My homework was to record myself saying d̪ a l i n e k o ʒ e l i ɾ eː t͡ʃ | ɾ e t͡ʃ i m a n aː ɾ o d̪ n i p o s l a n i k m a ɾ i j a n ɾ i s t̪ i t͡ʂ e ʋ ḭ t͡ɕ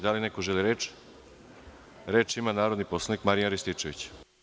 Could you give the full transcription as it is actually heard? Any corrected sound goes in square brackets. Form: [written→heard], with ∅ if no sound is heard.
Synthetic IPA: d̪ a l i n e k o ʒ e l i ɾ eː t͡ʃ | ɾ e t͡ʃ i m a n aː ɾ o d̪ n i p o s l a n i k m a ɾ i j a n ɾ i s t̪ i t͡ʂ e ʋ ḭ t͡ɕ